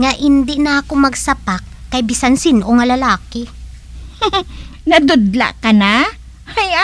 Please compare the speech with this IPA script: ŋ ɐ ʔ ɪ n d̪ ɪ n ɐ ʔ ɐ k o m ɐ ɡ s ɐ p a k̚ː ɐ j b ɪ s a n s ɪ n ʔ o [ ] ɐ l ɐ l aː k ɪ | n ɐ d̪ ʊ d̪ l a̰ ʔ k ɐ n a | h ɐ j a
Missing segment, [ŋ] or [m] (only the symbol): ŋ